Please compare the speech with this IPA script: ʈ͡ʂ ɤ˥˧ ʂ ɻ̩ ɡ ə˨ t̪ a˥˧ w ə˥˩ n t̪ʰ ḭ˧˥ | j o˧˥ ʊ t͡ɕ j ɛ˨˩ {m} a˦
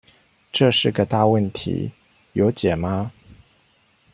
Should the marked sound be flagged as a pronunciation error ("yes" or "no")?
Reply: no